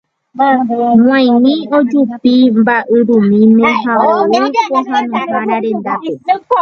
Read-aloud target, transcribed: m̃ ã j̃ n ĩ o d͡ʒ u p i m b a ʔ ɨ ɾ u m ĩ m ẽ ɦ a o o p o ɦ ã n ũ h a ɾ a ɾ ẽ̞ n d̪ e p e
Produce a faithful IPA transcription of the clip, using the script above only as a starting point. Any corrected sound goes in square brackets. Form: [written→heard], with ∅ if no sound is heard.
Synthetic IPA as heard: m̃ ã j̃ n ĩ o d͡ʒ u p i m b a ʔ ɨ ɾ u m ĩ m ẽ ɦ a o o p o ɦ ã n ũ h a ɾ a ɾ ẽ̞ n d̪ [e→a] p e